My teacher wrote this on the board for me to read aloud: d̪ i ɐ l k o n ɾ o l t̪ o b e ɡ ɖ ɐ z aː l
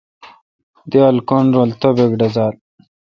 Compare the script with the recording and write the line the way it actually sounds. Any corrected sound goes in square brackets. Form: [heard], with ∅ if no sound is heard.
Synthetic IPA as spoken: d̪ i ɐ l k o n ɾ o l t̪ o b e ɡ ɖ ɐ z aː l